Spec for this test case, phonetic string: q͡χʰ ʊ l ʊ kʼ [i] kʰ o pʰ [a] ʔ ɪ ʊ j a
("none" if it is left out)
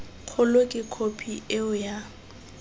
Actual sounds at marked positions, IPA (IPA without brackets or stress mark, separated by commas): ɪ, i